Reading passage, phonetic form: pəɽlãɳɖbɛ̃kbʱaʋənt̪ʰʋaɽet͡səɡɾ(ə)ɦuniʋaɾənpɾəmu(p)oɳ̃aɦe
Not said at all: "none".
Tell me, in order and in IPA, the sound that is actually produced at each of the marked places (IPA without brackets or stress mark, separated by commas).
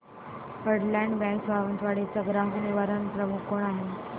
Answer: a, k